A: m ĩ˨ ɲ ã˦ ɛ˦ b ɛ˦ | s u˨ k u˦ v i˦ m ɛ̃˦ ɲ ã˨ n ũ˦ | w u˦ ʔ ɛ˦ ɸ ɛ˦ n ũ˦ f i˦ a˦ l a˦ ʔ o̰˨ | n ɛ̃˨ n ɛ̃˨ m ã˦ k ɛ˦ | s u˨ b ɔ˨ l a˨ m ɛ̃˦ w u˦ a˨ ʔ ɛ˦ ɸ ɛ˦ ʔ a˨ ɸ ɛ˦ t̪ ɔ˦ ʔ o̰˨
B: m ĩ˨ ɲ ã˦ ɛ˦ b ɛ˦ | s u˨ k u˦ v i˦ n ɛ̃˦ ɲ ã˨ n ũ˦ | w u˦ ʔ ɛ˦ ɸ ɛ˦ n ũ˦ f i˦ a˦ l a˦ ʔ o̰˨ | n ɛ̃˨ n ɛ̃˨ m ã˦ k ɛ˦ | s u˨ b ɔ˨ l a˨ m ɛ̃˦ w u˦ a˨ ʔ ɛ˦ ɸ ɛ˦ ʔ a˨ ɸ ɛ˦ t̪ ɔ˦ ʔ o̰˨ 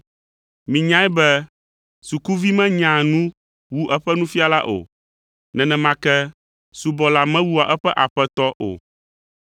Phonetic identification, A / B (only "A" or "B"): A